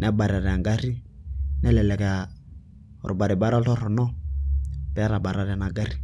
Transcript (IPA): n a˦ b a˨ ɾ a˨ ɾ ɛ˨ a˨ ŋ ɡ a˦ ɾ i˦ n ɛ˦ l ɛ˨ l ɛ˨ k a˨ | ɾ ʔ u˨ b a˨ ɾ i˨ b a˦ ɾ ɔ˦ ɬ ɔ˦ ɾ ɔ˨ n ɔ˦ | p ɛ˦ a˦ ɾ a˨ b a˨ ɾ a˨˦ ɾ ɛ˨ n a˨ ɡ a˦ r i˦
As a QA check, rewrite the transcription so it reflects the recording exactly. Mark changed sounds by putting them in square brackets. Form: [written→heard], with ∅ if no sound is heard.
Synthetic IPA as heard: n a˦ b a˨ ɾ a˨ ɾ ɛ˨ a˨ ŋ ɡ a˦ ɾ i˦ n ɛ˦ l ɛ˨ l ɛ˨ k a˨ | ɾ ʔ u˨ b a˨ ɾ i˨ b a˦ ɾ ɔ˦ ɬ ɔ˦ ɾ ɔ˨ n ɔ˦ | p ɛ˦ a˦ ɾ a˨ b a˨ ɾ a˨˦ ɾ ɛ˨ n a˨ ɡ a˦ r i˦